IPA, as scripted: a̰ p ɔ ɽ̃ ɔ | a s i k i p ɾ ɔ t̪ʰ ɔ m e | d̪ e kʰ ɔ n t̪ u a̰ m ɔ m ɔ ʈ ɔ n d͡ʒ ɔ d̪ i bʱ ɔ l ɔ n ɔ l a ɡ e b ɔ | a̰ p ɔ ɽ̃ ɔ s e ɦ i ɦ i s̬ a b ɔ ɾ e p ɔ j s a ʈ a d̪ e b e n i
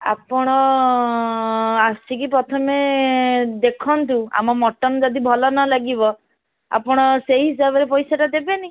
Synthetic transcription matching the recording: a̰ p ɔ ɽ̃ ɔ | a s i k i p ɾ ɔ t̪ʰ ɔ m e | d̪ e kʰ ɔ n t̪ u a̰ m ɔ m ɔ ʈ ɔ n d͡ʒ ɔ d̪ i bʱ ɔ l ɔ n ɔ l a ɡ i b ɔ | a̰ p ɔ ɽ̃ ɔ s e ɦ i ɦ i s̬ a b ɔ ɾ e p ɔ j s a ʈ a d̪ e b e n i